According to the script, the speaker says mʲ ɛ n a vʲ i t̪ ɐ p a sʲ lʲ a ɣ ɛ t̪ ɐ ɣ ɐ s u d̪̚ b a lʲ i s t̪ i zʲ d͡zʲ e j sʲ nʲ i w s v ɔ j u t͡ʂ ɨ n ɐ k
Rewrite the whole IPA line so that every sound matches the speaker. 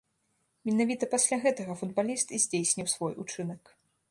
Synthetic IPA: mʲ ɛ n a vʲ i t̪ ɐ p a sʲ lʲ a ɣ ɛ t̪ ɐ ɣ ɐ f u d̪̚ b a lʲ i s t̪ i zʲ d͡zʲ e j sʲ nʲ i w s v ɔ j u t͡ʂ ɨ n ɐ k